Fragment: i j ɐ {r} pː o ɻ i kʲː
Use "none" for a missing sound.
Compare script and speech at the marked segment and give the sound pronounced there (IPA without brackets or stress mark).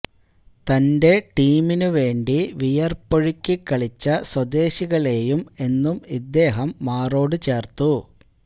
r